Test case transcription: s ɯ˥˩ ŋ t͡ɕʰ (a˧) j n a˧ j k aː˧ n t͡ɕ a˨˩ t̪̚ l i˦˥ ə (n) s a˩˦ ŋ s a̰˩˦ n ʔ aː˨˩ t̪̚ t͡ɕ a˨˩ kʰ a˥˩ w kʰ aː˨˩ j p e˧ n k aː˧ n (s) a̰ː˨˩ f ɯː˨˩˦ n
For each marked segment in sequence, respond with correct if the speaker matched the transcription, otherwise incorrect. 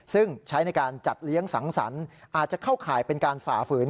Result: incorrect, incorrect, incorrect

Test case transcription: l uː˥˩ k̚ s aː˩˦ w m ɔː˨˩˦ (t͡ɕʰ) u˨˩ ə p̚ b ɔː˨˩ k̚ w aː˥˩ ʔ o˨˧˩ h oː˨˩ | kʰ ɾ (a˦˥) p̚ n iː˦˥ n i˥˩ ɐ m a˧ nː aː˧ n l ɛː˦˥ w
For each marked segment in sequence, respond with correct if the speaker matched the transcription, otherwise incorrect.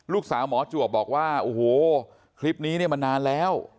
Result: incorrect, incorrect

